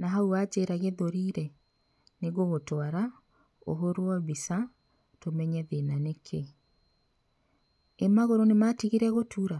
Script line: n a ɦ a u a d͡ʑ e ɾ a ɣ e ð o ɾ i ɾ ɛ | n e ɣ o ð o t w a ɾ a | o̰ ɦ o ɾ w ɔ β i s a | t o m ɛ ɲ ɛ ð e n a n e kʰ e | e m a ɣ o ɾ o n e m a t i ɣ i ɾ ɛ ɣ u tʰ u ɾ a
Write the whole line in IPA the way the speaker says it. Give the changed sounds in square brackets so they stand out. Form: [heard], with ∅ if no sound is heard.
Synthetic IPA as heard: n a ɦ a u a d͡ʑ e ɾ a ɣ e ð o ɾ i ɾ ɛ | n e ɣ o [ɣ] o t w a ɾ a | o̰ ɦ o ɾ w ɔ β i s a | t o m ɛ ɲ ɛ ð e n a n e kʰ e | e m a ɣ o ɾ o n e m a t i ɣ i ɾ ɛ ɣ [o] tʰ u ɾ a